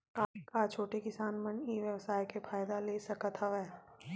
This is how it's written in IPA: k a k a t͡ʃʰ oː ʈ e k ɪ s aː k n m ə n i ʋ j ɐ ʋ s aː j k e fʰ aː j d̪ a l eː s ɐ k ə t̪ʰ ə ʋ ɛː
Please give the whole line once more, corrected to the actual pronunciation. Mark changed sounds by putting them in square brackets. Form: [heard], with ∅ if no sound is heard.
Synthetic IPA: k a k a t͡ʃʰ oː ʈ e k ɪ s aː [∅] n m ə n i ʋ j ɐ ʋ s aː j k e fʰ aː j d̪ a l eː s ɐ k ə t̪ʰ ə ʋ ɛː